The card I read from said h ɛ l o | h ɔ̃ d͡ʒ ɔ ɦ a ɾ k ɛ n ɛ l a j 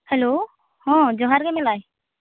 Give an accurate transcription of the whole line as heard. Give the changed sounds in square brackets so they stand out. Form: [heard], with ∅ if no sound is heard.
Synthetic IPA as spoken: h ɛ l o | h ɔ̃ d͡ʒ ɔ ɦ a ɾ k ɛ [m] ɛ l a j